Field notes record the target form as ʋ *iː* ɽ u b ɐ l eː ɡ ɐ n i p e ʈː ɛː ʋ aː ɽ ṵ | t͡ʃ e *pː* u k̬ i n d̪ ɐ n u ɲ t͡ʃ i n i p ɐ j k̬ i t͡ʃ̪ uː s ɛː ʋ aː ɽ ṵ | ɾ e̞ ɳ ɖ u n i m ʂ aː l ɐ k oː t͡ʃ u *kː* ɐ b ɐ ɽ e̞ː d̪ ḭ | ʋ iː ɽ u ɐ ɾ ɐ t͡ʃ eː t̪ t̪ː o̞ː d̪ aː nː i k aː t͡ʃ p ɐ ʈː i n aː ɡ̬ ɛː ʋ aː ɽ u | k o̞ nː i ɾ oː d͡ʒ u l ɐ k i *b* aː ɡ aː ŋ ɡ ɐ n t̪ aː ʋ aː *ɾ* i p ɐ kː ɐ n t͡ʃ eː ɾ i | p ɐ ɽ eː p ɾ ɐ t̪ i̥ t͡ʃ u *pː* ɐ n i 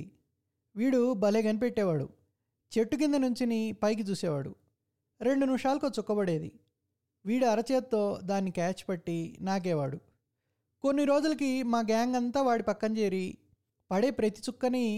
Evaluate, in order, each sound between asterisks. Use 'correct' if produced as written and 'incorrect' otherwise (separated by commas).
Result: correct, incorrect, correct, incorrect, incorrect, incorrect